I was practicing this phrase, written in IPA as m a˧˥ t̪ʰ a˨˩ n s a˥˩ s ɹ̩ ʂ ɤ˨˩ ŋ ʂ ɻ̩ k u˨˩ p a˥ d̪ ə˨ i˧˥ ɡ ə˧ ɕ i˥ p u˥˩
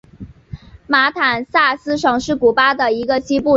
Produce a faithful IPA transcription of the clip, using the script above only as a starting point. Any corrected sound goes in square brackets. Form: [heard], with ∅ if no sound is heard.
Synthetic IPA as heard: m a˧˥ t̪ʰ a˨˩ n s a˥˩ s ɹ̩ ʂ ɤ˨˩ ŋ ʂ ɻ̩ k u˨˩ p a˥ d̪ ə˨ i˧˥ ɡ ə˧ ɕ i˥ p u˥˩